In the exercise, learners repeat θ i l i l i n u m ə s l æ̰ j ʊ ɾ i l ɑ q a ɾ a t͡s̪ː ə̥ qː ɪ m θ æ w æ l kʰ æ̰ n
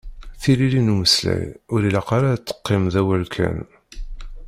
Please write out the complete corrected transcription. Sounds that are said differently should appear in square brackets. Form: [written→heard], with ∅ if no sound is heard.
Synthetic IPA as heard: θ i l i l i n u m ə s l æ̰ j ʊ ɾ i l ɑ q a ɾ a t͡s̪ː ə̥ qː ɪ m [θ→ð] æ w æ l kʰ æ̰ n